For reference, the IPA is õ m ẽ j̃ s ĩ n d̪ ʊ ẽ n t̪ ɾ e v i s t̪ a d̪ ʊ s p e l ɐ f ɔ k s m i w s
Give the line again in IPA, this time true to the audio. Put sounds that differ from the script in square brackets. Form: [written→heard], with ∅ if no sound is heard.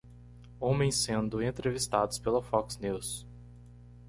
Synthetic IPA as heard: õ m ẽ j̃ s [ĩ→ẽ] n d̪ ʊ ẽ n t̪ ɾ e v i s t̪ a d̪ ʊ s p e l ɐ f ɔ k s [m→n] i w s